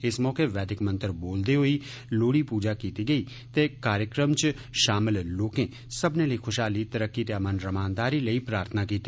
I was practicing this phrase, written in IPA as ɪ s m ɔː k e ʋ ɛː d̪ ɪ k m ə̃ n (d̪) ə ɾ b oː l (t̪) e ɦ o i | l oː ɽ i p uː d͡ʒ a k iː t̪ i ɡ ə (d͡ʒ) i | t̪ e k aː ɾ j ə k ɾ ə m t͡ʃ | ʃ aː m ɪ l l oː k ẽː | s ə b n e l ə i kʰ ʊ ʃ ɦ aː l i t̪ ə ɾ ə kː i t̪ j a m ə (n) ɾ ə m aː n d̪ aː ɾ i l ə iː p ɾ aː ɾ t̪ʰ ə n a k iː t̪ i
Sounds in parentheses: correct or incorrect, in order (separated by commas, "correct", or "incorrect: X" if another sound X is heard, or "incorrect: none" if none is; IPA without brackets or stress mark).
incorrect: t̪, incorrect: d̪, incorrect: none, correct